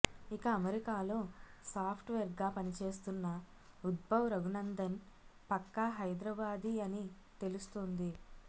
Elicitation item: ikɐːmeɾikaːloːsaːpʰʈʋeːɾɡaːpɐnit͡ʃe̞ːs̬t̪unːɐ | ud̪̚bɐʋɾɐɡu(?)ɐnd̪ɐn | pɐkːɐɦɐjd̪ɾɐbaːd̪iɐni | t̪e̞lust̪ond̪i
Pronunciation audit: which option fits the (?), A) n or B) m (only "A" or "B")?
A